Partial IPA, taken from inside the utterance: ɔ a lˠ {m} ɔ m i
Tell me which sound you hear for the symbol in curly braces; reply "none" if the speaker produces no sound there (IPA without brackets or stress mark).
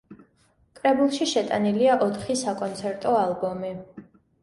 b